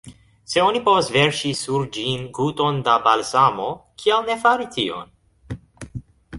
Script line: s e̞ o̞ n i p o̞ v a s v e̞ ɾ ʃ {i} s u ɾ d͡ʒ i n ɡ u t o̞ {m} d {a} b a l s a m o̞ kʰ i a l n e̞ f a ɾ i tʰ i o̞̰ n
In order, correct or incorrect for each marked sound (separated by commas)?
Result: correct, incorrect, correct